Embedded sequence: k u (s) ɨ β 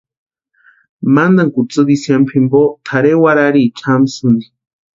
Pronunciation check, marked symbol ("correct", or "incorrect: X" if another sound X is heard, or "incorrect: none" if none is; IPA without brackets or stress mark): incorrect: t͡s